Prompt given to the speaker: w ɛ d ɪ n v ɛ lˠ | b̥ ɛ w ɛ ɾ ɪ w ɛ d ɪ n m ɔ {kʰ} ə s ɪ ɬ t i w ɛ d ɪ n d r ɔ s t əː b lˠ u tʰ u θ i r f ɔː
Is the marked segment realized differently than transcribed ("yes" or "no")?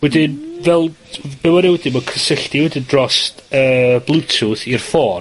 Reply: no